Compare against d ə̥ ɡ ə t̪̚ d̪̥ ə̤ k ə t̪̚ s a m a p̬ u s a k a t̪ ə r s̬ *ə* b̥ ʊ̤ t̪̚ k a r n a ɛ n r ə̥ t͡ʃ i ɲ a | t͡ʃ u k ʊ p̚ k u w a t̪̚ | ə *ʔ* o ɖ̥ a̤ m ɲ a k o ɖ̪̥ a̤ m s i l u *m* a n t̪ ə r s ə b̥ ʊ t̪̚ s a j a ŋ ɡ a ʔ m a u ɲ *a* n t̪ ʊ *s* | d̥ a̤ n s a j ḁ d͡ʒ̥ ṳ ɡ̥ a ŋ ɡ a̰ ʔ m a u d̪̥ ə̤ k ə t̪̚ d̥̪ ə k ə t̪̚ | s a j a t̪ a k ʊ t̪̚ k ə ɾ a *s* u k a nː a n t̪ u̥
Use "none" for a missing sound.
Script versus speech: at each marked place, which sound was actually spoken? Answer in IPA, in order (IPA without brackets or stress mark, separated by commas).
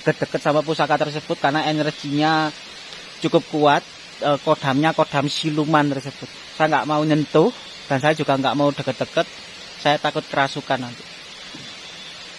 ə, k, m, ə, h, s